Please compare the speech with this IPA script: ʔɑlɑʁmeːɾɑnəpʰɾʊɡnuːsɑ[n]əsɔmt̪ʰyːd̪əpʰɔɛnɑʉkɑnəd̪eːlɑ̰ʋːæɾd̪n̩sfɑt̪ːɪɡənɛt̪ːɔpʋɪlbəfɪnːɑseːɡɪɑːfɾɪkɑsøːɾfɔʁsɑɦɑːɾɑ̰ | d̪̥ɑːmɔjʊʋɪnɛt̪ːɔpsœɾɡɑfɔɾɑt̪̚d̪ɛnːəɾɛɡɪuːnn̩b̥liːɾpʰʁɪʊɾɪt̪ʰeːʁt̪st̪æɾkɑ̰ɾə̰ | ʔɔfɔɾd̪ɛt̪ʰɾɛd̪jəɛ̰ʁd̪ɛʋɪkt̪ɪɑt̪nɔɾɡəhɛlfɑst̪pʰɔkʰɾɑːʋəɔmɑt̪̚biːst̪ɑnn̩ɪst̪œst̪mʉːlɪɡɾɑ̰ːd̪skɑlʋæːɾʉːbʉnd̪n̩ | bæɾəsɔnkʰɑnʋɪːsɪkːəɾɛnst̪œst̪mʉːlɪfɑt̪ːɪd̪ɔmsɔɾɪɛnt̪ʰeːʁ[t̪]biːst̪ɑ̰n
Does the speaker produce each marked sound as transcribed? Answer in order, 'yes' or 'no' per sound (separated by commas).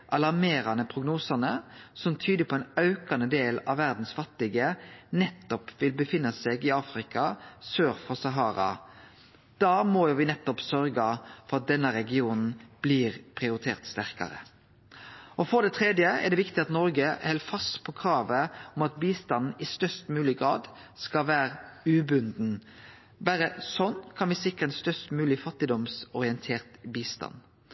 yes, yes